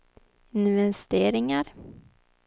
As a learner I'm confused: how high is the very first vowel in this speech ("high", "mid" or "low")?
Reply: high